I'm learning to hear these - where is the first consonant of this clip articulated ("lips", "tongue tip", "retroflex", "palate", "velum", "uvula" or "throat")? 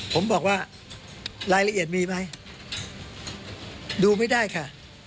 lips